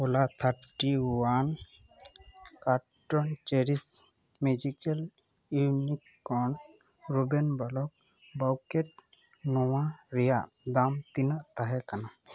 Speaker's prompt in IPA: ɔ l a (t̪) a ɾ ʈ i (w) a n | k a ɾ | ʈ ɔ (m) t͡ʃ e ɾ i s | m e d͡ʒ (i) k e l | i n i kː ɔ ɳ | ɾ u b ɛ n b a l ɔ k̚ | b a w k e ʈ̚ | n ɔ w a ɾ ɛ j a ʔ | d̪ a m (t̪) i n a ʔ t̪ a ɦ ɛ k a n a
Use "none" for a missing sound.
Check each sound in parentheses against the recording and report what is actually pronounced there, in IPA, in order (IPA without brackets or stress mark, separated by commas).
t̪ʰ, w, n, i, t̪